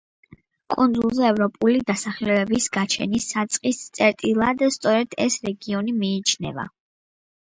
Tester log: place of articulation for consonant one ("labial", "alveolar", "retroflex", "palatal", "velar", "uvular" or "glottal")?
velar